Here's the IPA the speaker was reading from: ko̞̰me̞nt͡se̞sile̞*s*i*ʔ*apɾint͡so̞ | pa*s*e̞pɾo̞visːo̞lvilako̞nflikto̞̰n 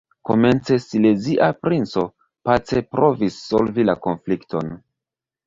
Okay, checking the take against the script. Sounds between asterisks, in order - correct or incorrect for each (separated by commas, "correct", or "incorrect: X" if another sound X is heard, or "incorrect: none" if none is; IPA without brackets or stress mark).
incorrect: z, correct, incorrect: t͡s